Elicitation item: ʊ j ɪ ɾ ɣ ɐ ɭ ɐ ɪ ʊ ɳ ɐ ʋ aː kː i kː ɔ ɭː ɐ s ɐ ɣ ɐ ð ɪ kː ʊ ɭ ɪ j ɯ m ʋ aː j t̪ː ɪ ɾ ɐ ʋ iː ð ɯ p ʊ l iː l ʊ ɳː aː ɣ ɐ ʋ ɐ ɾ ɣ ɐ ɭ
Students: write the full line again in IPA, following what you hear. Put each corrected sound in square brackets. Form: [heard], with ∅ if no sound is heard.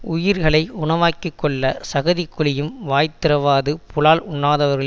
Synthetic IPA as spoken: ʊ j ɪ ɾ ɣ ɐ ɭ ɐ ɪ ʊ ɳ ɐ ʋ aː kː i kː ɔ ɭː ɐ s ɐ ɣ ɐ ð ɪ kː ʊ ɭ ɪ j ɯ m ʋ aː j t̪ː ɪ ɾ ɐ ʋ [aː] ð ɯ p ʊ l [aː] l ʊ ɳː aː [ð] ɐ ʋ ɐ ɾ ɣ ɐ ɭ